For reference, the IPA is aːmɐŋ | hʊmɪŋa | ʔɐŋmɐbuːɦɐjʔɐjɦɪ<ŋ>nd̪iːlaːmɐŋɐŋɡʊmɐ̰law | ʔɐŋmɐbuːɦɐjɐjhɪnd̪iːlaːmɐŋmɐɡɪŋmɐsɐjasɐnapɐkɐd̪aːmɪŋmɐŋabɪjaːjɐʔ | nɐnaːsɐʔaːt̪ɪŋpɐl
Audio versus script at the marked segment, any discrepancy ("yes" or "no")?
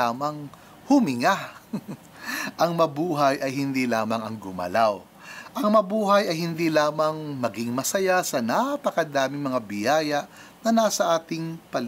yes